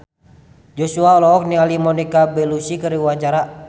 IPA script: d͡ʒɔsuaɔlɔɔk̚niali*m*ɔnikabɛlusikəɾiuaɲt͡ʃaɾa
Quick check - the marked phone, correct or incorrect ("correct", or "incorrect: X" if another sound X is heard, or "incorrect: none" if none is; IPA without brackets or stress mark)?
correct